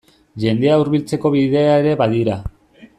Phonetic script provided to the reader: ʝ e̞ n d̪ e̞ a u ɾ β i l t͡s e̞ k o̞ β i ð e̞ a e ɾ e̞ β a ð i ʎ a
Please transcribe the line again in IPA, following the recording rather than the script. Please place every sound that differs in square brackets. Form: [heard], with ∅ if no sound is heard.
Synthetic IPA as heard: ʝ e̞ n d̪ e̞ a u ɾ β i l t͡s e̞ k o̞ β i ð e̞ a e ɾ e̞ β a ð i [ɾ] a